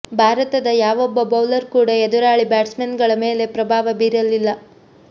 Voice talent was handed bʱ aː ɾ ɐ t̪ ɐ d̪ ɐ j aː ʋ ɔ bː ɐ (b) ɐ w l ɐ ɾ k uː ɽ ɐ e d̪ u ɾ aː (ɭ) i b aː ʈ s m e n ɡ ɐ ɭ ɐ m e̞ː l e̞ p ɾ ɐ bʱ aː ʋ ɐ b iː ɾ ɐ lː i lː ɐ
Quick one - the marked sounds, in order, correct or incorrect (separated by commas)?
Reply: correct, correct